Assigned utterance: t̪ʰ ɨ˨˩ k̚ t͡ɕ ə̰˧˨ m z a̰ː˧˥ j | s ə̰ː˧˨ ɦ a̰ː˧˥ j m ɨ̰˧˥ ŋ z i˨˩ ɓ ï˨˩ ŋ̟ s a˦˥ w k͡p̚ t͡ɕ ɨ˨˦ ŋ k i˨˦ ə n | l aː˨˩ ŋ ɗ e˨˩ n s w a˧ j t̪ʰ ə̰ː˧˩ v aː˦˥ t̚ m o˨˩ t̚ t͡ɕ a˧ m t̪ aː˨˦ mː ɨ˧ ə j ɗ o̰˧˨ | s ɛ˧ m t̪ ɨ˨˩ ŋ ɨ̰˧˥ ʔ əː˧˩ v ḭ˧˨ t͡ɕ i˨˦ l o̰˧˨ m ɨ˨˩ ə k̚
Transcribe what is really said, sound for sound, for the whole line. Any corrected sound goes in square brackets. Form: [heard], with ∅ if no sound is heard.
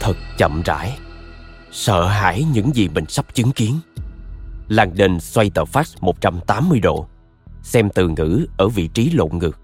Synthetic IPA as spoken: t̪ʰ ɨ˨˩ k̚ t͡ɕ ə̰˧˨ m z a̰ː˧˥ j | s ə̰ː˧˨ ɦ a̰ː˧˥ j [ɲ] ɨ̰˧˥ ŋ z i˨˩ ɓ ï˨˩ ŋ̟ s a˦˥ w k͡p̚ t͡ɕ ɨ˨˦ ŋ k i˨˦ ə n | l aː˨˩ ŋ ɗ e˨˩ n s w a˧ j [t̪] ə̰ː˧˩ [f] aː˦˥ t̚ m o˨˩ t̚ t͡ɕ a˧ m t̪ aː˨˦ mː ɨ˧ ə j ɗ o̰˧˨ | s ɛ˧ m t̪ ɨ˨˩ ŋ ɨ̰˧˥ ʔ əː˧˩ v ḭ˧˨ t͡ɕ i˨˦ l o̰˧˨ [ŋ] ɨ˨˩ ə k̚